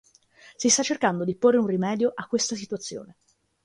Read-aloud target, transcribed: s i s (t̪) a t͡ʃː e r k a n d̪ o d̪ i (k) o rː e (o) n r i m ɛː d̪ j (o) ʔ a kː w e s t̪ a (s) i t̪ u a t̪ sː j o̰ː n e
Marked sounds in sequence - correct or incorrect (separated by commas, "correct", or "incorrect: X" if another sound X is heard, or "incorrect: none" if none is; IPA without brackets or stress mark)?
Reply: correct, incorrect: p, incorrect: u, correct, correct